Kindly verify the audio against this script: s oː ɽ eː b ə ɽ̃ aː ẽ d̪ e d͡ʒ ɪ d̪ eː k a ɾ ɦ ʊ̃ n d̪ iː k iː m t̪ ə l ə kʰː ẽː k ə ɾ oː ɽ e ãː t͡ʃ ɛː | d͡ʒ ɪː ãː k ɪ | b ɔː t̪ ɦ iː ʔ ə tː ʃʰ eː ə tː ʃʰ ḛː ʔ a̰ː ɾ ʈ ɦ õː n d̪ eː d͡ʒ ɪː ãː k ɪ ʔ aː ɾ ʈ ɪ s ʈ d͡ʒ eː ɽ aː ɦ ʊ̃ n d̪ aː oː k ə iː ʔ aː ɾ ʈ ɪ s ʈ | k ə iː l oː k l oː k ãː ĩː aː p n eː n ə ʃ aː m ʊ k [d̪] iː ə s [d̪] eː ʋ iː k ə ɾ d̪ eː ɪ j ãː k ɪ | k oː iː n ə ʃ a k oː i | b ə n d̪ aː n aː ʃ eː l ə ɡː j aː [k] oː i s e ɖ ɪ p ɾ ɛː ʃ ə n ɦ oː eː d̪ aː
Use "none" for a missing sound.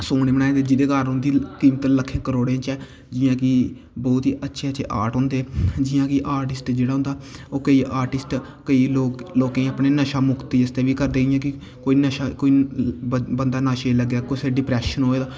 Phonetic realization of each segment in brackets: t̪, t̪, k

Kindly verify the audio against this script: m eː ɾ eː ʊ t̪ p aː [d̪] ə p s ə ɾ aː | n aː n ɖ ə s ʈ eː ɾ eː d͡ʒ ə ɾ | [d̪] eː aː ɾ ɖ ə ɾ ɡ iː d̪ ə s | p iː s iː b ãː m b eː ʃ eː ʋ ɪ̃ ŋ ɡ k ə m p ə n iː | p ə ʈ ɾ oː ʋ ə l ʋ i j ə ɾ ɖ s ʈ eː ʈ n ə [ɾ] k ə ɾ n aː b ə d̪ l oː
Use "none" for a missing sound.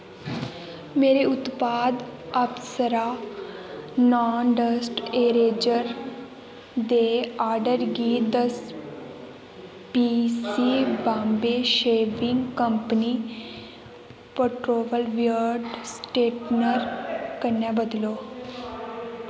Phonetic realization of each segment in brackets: d̪, d̪, ɾ

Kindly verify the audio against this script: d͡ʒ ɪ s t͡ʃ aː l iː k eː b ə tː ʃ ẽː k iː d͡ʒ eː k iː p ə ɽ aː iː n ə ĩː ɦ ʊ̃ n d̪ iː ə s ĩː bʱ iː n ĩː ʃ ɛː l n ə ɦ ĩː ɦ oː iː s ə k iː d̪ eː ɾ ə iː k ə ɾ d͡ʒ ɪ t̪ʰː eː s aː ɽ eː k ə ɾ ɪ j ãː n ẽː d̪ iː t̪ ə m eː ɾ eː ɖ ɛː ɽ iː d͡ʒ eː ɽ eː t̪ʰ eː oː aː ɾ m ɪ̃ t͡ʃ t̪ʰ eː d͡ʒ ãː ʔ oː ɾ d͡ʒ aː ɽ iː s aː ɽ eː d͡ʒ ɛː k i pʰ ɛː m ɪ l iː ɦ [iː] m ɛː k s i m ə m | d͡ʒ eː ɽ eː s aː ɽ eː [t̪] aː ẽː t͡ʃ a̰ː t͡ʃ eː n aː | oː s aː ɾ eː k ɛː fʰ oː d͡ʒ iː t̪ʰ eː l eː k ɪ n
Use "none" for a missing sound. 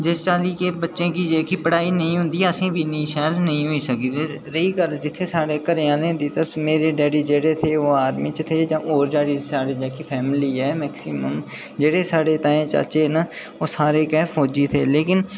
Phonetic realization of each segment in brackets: ɛː, t̪

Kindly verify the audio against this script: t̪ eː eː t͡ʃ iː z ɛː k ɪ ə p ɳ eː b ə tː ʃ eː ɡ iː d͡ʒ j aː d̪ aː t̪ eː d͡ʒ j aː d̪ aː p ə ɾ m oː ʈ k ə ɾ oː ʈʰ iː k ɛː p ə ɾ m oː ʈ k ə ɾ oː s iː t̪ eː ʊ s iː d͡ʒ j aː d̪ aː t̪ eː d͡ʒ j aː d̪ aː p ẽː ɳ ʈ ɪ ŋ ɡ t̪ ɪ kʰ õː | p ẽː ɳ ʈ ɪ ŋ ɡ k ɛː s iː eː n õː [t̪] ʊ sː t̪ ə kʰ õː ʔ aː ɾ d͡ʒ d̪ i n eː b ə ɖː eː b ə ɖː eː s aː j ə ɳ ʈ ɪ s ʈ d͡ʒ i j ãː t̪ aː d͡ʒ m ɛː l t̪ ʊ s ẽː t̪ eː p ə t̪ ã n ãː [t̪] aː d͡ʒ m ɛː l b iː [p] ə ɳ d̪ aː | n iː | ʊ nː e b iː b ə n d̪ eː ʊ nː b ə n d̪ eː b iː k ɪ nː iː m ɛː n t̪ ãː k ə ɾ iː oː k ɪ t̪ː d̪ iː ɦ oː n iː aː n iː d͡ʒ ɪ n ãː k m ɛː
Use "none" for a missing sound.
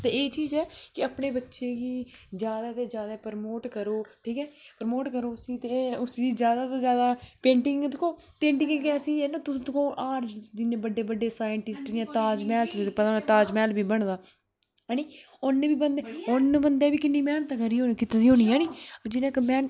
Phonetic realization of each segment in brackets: t̪, t̪, b

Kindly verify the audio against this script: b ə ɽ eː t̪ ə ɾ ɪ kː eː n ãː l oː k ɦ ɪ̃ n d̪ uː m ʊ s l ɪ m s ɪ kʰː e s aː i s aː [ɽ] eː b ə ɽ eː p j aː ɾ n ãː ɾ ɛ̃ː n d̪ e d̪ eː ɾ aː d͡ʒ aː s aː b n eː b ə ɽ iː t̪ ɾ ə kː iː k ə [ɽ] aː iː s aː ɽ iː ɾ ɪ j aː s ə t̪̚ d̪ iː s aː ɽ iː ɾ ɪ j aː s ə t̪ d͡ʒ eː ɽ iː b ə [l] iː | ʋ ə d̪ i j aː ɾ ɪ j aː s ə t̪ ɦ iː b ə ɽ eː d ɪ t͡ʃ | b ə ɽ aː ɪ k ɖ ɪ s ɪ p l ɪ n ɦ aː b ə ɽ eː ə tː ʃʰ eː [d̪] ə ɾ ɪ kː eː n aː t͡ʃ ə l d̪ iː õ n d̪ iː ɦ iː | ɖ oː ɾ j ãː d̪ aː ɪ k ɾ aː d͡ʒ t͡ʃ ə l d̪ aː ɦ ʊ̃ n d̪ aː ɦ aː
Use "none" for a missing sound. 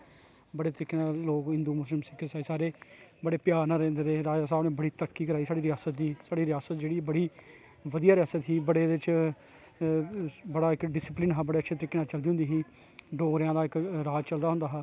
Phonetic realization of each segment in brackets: ɾ, ɾ, ɽ, t̪

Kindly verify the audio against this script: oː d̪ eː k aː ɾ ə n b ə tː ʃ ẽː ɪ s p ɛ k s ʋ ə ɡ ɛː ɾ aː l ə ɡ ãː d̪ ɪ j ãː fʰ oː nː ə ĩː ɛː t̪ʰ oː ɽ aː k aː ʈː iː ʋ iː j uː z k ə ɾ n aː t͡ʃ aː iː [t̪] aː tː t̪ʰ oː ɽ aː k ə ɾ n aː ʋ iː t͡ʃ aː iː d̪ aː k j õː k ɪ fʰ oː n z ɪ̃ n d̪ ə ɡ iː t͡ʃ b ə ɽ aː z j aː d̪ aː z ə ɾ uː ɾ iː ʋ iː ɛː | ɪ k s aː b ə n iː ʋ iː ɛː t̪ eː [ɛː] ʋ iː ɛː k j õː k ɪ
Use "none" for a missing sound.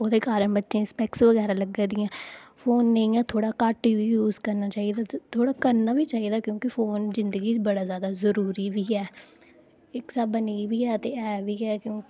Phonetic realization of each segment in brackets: d̪, ɛː

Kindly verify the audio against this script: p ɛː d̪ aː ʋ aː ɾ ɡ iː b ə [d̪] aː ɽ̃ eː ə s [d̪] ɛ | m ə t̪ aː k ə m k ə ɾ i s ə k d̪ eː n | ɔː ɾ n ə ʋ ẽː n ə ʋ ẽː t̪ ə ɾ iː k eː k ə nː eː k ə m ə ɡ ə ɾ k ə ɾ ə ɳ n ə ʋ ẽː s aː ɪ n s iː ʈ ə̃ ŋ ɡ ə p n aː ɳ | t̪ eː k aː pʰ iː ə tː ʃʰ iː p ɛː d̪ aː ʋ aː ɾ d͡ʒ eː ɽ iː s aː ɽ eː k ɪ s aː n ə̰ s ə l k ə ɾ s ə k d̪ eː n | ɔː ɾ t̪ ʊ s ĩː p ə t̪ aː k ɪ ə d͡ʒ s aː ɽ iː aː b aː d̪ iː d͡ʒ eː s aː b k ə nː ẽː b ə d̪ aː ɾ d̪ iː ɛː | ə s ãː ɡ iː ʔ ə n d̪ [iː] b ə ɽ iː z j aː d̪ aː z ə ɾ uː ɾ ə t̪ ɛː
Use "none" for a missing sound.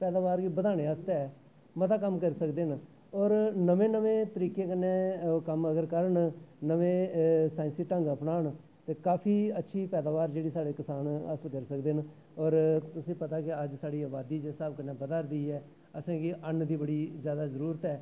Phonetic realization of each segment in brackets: d̪, t̪, iː

